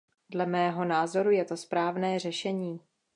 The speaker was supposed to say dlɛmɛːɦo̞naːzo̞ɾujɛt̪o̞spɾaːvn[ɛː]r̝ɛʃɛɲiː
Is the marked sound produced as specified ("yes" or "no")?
yes